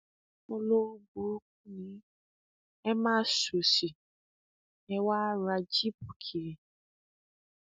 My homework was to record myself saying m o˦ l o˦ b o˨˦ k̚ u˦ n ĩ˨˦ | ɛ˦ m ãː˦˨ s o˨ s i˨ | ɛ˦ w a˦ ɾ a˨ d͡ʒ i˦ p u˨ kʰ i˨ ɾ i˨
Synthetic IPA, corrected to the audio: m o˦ l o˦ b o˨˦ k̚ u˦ n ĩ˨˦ | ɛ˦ m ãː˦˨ s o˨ s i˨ | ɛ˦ w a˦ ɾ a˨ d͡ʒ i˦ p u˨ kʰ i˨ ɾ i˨